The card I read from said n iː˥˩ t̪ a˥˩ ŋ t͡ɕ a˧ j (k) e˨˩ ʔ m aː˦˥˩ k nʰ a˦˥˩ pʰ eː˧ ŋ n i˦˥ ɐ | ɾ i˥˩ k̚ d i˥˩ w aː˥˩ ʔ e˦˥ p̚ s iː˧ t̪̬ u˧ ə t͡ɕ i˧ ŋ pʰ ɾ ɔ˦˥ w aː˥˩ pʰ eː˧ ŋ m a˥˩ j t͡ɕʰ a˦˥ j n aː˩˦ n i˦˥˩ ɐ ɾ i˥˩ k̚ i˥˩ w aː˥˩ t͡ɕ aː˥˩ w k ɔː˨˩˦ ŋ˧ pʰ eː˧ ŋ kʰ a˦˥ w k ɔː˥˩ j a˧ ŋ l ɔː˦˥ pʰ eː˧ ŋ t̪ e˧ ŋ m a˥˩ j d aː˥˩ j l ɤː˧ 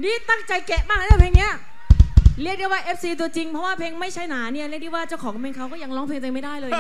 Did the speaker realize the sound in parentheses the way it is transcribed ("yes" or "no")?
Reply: yes